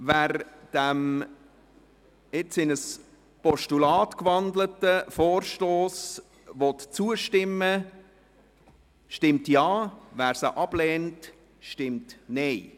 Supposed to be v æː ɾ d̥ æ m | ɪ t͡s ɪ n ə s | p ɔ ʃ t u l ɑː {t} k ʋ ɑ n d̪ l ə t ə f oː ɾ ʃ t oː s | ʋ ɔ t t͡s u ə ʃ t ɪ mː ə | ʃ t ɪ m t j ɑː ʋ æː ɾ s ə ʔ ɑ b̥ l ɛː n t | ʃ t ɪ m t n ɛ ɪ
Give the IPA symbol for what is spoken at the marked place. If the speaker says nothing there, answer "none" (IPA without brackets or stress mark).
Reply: t